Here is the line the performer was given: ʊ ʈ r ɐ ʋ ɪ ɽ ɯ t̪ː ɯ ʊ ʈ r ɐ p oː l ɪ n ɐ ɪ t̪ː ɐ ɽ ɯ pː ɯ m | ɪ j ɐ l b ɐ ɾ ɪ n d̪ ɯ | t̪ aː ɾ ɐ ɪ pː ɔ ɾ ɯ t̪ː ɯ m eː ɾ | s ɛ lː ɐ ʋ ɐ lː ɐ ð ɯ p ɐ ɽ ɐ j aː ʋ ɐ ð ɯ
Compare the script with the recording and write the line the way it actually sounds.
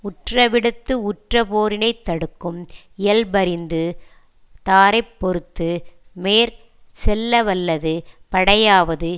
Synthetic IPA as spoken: ʊ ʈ r ɐ ʋ ɪ ɽ ɯ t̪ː ɯ ʊ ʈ r ɐ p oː ɾ ɪ n ɐ ɪ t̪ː ɐ ɽ ɯ kː ɯ m | ɪ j ɐ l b ɐ ɾ ɪ n d̪ ɯ | t̪ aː ɾ ɐ ɪ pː ɔ ɾ ɯ t̪ː ɯ m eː ɾ | s ɛ lː ɐ ʋ ɐ lː ɐ ð ɯ p ɐ ɽ ɐ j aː ʋ ɐ ð ɯ

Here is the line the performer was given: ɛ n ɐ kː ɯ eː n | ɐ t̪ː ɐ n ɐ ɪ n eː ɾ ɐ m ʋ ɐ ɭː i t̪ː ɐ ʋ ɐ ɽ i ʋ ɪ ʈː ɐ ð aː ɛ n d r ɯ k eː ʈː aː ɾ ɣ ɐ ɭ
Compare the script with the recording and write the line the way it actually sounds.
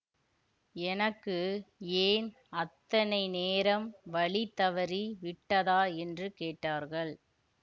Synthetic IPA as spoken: ɛ n ɐ kː ɯ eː n | ɐ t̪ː ɐ n ɐ ɪ n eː ɾ ɐ m ʋ ɐ ɭ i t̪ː ɐ ʋ ɐ ɾ i ʋ ɪ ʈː ɐ ð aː ɛ n d r ɯ k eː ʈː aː ɾ ɣ ɐ ɭ

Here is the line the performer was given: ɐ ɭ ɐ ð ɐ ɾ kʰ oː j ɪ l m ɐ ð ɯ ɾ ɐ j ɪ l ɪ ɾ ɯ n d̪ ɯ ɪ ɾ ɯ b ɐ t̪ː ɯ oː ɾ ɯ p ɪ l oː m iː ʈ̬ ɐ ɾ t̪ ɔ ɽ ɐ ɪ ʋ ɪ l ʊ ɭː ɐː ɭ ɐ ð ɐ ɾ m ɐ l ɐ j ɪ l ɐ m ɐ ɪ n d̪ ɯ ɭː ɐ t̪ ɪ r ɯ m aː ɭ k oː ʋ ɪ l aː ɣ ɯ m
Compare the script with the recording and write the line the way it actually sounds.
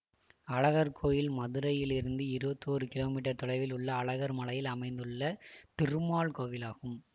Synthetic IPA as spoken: ɐ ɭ ɐ ɣ ɐ ɾ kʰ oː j ɪ l m ɐ ð ɯ ɾ ɐ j ɪ l ɪ ɾ ɯ n d̪ ɯ ɪ ɾ ɯ b ɐ t̪ː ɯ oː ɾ ɯ k ɪ l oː m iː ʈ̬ ɐ ɾ t̪ ɔ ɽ ɐ ɪ ʋ ɪ l ʊ ɭː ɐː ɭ ɐ ɣ ɐ ɾ m ɐ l ɐ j ɪ l ɐ m ɐ ɪ n d̪ ɯ ɭː ɐ t̪ ɪ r ɯ m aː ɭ k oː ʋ ɪ l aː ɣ ɯ m

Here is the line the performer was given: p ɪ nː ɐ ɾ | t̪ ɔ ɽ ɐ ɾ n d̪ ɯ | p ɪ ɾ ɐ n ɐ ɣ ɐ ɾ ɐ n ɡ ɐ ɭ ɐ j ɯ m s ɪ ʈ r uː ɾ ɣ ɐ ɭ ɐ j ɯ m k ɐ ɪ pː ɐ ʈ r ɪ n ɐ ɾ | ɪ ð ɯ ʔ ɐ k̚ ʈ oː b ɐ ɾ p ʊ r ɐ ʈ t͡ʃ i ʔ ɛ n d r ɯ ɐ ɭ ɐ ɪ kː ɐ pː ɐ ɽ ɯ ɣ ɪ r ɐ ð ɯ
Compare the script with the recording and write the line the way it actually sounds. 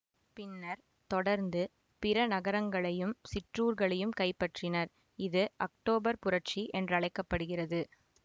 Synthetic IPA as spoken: p ɪ nː ɐ ɾ | t̪ ɔ ɽ ɐ ɾ n d̪ ɯ | p ɪ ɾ ɐ n ɐ ɣ ɐ ɾ ɐ ŋ ɡ ɐ ɭ ɐ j ɯ m s ɪ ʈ r uː ɾ ɣ ɐ ɭ ɐ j ɯ m k ɐ ɪ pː ɐ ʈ r ɪ n ɐ ɾ | ɪ ð ɯ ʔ ɐ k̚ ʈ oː b ɐ ɾ p ʊ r ɐ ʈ t͡ʃ i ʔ ɛ n d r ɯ ɐ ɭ ɐ ɪ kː ɐ pː ɐ ɽ ɯ ɣ ɪ r ɐ ð ɯ

